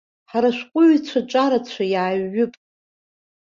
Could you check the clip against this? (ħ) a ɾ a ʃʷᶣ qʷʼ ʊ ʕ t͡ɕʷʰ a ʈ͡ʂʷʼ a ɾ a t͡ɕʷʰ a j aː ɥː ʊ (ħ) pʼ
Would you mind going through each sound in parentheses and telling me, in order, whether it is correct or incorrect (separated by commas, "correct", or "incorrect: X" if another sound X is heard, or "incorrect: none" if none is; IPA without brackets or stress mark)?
correct, incorrect: none